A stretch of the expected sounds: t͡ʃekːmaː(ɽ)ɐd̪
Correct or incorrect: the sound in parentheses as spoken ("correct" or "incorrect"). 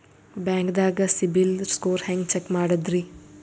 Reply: correct